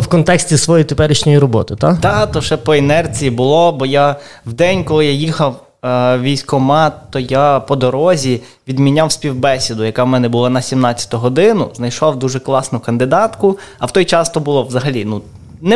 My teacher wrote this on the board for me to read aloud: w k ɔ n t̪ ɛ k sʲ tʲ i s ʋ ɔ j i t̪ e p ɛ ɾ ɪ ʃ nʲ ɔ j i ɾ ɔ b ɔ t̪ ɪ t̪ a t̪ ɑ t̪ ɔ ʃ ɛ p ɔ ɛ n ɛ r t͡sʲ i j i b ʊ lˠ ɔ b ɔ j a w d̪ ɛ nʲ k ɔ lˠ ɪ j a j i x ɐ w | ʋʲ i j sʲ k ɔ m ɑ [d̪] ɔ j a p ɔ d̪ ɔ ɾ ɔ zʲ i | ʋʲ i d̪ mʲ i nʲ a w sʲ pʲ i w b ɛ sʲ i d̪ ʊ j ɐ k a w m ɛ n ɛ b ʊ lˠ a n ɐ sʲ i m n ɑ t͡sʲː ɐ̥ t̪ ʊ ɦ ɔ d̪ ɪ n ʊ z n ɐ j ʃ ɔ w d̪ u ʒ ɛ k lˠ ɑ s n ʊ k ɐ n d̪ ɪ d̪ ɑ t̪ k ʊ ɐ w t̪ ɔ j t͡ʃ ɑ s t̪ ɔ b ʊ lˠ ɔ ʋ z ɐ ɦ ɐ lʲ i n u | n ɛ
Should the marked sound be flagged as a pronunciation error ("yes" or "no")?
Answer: yes